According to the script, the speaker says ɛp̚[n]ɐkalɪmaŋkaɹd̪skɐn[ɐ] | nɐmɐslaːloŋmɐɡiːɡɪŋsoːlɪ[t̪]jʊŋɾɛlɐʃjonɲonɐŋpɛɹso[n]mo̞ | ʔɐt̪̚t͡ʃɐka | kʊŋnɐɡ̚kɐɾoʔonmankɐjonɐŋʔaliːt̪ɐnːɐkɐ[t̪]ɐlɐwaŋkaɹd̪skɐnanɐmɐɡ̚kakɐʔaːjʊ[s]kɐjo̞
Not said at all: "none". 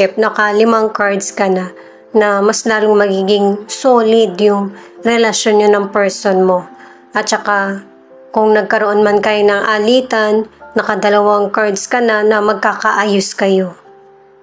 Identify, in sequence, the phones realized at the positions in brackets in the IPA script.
n, a, d̪, n, d̪, s

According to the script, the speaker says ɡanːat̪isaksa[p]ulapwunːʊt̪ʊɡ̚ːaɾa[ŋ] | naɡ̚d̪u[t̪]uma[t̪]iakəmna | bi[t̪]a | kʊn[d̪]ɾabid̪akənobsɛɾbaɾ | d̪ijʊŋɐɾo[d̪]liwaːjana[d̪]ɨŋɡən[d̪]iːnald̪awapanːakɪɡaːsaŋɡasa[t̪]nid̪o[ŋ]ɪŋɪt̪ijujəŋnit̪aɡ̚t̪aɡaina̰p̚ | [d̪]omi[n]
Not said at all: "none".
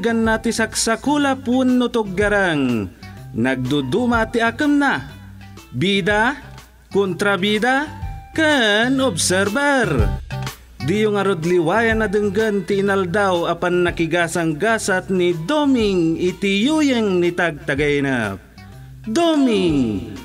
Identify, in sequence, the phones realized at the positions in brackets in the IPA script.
k, ŋ, d̪, t̪, d̪, t̪, d̪, d̪, t̪, t̪, m, d̪, ŋ

